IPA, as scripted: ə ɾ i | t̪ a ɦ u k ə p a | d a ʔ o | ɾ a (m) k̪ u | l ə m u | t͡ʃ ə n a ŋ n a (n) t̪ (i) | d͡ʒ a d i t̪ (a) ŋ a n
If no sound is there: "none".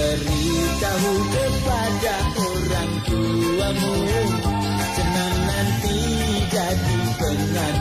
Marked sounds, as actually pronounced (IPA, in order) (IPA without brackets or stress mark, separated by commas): ŋ, n, i, ə